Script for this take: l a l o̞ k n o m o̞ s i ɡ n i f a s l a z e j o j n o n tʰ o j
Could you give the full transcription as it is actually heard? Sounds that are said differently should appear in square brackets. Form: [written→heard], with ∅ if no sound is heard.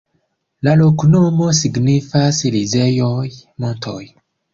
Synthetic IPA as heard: l a l o̞ k n o m o̞ s i ɡ n i f a s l [a→i] z e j o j [n→m] o n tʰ o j